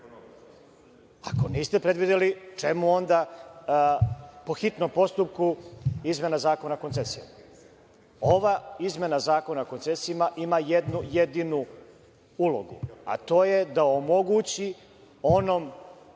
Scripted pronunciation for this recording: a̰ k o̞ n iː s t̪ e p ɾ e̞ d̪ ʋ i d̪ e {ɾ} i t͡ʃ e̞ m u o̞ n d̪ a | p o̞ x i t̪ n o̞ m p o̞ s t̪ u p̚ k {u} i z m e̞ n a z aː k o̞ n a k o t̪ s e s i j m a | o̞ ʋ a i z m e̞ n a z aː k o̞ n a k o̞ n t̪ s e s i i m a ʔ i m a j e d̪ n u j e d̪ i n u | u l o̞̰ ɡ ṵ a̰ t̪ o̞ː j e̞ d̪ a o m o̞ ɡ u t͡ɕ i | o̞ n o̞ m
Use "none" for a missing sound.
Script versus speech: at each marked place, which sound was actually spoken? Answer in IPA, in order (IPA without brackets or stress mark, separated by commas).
l, u